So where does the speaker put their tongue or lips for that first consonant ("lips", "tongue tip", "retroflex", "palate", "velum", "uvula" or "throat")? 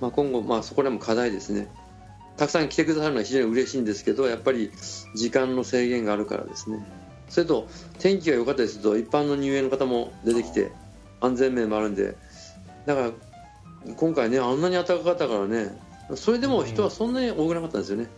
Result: lips